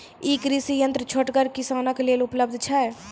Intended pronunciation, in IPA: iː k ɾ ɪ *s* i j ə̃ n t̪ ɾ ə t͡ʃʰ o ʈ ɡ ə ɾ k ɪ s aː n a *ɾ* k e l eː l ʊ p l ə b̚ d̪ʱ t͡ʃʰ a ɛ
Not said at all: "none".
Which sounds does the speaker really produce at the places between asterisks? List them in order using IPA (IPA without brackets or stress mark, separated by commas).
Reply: s, none